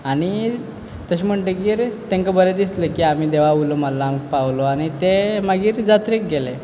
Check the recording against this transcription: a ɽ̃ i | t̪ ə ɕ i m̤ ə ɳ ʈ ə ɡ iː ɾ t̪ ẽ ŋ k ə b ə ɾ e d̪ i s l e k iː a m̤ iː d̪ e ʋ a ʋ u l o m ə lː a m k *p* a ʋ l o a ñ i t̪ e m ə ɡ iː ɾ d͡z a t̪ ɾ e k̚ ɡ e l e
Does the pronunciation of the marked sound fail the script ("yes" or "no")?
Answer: no